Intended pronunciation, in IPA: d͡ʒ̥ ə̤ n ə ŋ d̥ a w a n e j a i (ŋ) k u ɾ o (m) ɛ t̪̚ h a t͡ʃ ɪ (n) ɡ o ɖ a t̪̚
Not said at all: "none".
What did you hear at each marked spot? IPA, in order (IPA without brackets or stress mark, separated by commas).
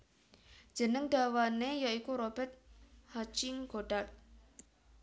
none, b, ŋ